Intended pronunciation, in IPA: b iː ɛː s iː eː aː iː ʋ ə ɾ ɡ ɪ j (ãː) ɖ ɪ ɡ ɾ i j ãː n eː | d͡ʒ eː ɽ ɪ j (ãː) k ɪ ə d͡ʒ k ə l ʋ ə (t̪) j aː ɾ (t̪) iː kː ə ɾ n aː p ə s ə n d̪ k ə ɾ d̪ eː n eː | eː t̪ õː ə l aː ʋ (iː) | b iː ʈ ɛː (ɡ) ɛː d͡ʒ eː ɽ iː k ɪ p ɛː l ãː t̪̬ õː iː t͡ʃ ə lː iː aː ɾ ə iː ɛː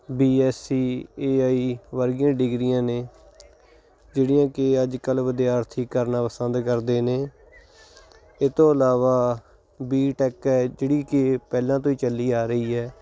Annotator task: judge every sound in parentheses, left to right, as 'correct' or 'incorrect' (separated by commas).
correct, correct, incorrect, incorrect, incorrect, incorrect